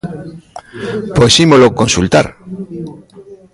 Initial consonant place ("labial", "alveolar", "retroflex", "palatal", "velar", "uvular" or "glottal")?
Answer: labial